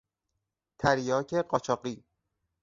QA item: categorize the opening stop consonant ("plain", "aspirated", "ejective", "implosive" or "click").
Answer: aspirated